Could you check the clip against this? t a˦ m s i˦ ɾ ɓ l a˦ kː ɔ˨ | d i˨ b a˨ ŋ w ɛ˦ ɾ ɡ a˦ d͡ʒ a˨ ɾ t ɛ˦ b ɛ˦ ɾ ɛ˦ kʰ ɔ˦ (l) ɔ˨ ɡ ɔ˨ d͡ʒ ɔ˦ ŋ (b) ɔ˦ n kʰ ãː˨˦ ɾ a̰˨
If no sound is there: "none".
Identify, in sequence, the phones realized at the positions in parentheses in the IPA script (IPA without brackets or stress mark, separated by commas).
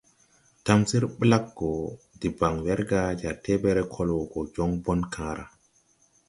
l, b